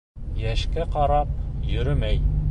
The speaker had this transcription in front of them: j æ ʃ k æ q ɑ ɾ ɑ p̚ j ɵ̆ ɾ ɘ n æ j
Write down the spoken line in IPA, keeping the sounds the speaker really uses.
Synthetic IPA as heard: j æ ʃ k æ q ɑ ɾ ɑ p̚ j ɵ̆ ɾ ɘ m æ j